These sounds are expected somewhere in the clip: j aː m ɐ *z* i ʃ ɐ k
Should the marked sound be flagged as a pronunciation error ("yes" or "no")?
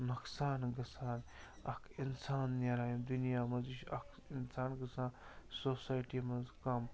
no